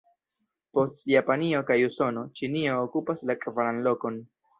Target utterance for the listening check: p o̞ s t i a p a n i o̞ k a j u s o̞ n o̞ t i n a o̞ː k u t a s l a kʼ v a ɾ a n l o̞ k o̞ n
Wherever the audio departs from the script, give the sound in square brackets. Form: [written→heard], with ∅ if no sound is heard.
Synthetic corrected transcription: p o̞ s t [i→j] a p a n i o̞ k a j u s o̞ n o̞ [t→t͡ʃ] i n [a→i] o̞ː k u [t→p] a s l a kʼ v a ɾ a n l o̞ k o̞ n